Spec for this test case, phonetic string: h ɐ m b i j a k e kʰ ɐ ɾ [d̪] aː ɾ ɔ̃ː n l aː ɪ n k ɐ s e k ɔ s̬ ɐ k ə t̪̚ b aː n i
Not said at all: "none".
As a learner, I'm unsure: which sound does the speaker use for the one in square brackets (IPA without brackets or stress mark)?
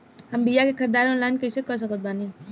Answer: d̪